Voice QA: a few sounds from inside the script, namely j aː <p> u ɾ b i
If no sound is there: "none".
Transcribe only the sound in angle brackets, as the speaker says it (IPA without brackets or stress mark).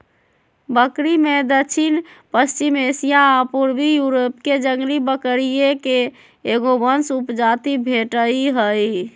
p